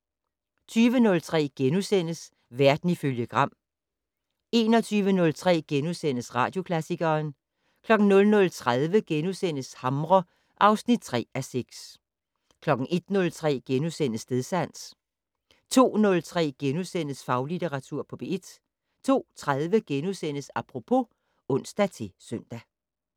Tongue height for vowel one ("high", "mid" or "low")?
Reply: high